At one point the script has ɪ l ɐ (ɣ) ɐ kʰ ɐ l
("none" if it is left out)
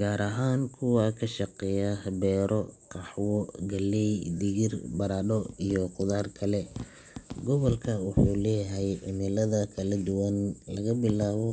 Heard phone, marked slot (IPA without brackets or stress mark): ð